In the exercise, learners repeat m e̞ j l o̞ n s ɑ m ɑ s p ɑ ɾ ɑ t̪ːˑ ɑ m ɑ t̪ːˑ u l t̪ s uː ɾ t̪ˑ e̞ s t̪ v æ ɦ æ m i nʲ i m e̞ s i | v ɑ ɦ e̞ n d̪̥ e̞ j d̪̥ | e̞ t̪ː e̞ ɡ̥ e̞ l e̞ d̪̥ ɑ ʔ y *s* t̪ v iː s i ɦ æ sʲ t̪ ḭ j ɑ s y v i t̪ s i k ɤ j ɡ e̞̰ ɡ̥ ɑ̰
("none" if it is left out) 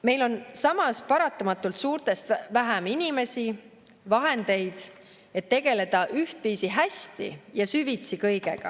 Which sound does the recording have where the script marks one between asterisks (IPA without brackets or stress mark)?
h